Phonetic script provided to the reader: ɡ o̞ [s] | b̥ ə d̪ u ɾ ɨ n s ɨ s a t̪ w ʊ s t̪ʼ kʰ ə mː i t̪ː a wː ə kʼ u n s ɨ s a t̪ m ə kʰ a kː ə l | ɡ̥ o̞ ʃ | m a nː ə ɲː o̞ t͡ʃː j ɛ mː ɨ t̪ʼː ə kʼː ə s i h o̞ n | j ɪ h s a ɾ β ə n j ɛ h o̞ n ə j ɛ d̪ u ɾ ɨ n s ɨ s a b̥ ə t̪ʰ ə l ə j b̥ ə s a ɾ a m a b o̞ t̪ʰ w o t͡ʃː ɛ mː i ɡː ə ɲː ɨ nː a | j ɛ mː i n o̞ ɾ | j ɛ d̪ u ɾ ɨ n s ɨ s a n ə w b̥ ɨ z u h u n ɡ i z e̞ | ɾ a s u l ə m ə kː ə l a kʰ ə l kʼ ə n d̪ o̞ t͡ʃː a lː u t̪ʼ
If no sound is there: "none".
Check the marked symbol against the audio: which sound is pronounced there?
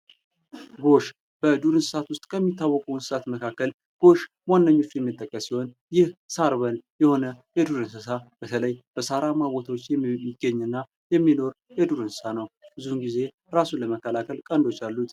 ʃ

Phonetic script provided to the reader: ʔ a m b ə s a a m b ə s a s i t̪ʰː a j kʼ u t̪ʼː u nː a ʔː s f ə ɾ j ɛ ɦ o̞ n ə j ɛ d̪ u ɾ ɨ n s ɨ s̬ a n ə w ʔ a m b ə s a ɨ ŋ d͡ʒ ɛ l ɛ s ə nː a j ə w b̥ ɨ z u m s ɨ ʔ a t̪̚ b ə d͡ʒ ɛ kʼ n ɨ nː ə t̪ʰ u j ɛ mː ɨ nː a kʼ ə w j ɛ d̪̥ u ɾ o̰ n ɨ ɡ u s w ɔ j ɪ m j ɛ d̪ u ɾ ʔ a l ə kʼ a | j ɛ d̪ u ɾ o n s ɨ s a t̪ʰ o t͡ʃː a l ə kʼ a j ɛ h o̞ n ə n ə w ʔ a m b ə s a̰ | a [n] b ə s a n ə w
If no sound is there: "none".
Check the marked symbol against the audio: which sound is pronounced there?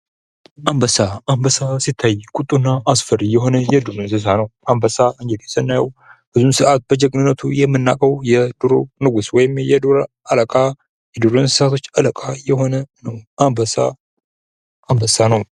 m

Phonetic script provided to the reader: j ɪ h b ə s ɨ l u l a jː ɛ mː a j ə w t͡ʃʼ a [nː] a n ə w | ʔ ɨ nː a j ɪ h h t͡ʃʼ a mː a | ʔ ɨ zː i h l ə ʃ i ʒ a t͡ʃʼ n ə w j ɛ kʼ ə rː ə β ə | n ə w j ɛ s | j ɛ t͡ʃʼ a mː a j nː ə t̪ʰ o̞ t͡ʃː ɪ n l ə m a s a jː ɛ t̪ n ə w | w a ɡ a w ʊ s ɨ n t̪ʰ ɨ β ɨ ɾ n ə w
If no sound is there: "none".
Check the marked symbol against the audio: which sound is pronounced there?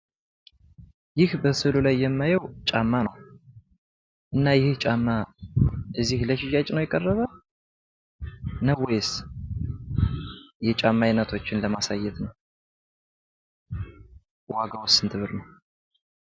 mː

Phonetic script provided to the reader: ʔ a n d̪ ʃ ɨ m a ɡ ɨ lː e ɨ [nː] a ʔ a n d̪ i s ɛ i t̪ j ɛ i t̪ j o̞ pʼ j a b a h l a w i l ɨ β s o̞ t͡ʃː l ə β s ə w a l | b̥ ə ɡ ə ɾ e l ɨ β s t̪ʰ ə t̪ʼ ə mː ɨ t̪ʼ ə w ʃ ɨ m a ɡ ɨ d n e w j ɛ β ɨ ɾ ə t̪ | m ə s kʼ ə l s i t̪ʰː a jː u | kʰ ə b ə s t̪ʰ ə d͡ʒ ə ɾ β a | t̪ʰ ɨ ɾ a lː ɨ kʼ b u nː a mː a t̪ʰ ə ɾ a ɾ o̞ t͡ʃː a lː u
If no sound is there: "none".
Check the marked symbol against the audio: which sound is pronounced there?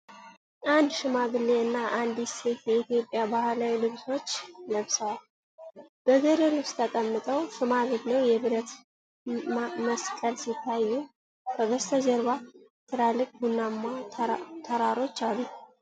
nː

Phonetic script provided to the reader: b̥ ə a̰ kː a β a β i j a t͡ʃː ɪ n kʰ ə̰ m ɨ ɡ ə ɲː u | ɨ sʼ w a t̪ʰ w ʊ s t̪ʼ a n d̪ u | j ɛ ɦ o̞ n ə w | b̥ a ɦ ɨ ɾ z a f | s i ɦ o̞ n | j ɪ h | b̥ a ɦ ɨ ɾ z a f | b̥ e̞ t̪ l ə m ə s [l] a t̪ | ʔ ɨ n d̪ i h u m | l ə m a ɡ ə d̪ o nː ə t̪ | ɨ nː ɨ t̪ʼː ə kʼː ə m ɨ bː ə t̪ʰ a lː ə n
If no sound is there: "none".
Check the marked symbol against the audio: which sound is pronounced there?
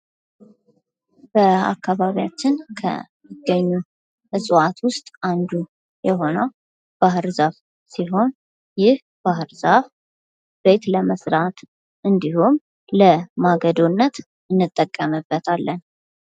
ɾ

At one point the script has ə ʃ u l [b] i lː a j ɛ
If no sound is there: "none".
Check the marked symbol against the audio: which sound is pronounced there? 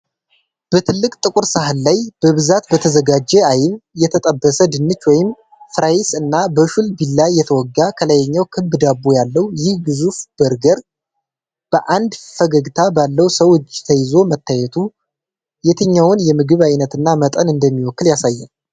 b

